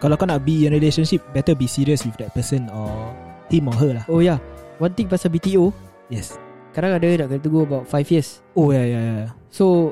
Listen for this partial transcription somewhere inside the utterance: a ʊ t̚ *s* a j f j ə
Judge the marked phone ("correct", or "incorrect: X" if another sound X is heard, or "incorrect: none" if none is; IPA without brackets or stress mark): incorrect: f